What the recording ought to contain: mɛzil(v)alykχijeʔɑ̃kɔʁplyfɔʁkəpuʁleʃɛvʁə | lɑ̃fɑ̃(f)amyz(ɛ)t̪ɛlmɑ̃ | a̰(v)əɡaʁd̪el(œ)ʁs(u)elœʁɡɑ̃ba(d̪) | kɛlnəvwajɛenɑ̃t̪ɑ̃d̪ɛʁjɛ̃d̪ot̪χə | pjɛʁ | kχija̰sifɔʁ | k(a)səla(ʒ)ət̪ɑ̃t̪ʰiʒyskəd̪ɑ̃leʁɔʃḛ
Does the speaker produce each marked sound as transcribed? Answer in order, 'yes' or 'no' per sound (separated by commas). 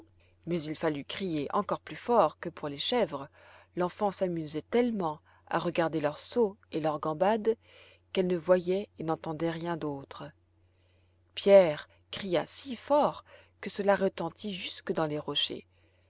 no, no, yes, no, yes, no, yes, no, no